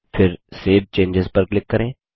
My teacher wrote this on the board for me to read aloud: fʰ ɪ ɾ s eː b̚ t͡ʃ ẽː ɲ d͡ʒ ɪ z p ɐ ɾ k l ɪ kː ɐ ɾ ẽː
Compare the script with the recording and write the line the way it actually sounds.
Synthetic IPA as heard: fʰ ɪ ɾ s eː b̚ t͡ʃ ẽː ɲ d͡ʒ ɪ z p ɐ ɾ k l ɪ kː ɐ ɾ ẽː